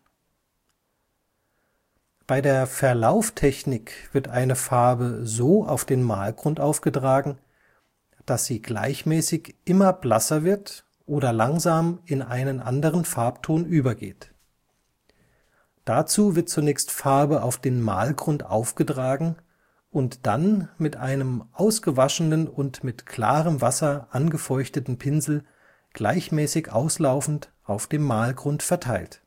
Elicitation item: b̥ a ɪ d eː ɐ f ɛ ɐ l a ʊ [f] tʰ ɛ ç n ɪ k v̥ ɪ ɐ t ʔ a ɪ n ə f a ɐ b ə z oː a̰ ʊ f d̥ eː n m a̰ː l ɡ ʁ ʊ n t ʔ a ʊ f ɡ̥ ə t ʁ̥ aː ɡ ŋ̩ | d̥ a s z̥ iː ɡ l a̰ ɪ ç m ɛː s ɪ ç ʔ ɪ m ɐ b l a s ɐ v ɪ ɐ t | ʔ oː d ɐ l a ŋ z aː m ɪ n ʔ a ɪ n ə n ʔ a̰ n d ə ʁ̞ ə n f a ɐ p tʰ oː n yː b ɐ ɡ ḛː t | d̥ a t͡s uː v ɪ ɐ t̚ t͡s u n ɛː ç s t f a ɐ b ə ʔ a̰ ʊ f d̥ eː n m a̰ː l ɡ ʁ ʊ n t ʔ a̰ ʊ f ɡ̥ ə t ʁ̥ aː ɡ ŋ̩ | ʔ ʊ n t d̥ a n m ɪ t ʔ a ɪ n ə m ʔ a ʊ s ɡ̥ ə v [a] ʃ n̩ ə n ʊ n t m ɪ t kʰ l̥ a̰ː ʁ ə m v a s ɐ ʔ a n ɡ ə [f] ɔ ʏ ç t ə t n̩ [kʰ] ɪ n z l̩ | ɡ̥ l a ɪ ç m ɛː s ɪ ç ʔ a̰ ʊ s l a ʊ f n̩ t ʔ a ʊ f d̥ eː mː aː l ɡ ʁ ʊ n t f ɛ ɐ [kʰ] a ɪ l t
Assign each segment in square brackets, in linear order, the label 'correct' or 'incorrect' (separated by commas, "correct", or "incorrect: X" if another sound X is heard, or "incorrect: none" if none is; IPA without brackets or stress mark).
correct, correct, correct, incorrect: pʰ, incorrect: tʰ